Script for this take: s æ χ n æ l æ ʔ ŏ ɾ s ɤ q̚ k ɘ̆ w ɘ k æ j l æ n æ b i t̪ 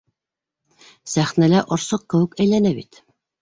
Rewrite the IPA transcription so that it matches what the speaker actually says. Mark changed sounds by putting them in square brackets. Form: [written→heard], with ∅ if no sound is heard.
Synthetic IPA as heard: s æ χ n æ l æ ʔ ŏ ɾ s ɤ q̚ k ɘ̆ w ɘ k æ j l æ n æ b i t̪